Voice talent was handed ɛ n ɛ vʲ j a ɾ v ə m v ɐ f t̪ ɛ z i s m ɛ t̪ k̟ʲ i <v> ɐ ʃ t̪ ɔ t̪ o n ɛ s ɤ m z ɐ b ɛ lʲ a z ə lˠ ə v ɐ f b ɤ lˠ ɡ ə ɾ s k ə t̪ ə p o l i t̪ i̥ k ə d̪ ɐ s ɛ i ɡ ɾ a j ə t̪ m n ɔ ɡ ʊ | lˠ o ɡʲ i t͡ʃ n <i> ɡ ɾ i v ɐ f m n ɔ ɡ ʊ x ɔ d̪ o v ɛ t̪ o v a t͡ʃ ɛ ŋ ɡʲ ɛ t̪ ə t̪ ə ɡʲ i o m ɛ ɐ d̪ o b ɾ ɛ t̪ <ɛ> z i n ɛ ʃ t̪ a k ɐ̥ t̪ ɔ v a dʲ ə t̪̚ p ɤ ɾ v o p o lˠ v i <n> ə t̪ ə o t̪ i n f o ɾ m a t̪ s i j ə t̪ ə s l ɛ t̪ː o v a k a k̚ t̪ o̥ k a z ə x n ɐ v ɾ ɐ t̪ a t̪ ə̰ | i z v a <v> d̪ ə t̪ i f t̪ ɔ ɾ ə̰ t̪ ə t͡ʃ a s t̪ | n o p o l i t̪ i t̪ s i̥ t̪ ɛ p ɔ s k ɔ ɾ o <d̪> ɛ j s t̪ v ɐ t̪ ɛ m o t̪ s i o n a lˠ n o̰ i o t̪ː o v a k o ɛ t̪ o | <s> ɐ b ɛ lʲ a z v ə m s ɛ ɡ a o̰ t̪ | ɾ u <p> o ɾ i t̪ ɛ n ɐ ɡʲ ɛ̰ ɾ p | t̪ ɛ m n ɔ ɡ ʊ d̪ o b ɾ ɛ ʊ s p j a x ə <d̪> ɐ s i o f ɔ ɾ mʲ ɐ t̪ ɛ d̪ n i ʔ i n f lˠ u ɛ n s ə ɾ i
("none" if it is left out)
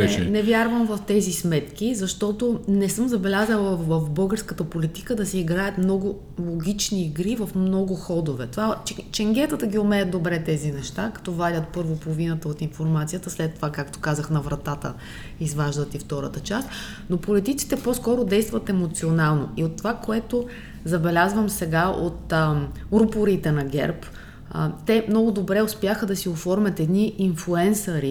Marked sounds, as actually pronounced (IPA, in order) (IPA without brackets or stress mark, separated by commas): z, iː, ɛ, n, ʒ, d̪, z, p, d̪